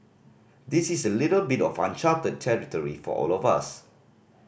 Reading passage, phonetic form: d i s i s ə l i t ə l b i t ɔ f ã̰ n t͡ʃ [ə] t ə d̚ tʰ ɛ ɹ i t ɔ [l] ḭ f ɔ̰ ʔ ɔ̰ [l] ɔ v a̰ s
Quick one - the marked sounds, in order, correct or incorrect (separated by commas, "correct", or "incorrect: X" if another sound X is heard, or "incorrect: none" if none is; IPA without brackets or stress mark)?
incorrect: a, incorrect: ɹ, correct